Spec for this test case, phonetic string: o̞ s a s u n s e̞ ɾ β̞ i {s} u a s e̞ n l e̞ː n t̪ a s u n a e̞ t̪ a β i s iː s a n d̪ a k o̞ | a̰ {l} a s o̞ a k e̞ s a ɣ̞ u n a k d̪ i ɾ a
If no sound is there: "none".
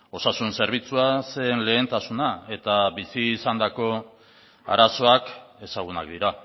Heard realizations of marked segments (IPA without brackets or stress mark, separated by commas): t͡s, ɾ